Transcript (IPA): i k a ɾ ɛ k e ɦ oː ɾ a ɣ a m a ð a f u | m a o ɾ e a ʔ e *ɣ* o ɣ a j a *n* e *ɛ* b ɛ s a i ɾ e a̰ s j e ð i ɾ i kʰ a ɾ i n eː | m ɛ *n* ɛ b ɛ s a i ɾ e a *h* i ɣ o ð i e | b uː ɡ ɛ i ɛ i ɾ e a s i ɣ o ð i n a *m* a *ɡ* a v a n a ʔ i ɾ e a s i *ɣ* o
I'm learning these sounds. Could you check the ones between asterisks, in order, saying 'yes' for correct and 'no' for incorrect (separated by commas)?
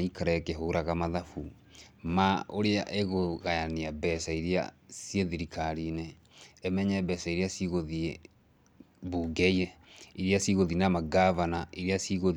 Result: yes, yes, no, no, no, yes, yes, yes